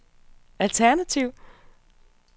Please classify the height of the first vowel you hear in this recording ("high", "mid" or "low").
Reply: low